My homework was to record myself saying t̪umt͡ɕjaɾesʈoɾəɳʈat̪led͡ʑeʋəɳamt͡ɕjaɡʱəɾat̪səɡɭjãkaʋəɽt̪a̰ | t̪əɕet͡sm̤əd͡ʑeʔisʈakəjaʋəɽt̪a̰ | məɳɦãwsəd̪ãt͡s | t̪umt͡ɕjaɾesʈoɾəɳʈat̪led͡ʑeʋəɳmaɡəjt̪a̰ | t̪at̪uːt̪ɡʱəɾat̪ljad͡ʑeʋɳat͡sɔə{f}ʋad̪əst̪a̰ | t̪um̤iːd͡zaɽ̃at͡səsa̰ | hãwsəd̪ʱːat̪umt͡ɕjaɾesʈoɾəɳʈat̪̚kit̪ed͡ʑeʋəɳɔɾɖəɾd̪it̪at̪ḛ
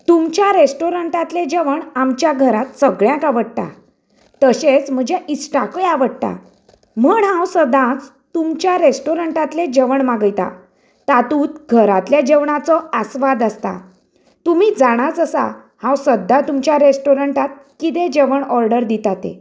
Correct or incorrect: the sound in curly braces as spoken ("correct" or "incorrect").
incorrect